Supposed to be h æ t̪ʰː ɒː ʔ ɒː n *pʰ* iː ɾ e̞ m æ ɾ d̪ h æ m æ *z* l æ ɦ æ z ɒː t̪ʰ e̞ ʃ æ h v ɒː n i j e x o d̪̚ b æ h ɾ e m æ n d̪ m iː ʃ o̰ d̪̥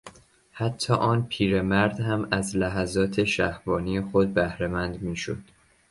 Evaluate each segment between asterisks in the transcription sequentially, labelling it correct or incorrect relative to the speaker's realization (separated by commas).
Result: correct, correct